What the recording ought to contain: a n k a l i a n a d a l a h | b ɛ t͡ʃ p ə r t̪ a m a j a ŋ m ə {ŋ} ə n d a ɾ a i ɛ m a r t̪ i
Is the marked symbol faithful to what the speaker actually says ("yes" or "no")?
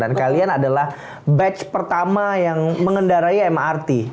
yes